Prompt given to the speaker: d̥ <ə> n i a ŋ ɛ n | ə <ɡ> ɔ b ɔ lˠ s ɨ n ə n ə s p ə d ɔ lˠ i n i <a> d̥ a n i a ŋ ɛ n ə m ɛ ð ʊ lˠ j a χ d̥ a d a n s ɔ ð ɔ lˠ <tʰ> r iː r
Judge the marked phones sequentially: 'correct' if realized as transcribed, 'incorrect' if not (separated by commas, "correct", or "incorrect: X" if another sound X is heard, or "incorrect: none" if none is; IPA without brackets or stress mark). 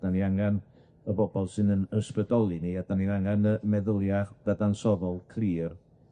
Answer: incorrect: a, incorrect: b, correct, incorrect: kʰ